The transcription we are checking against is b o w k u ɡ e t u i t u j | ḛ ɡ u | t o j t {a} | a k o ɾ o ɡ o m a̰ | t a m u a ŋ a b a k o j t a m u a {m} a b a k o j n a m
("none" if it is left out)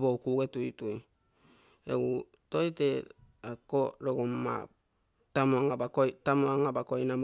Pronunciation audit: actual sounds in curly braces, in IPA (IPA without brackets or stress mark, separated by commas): e, ŋ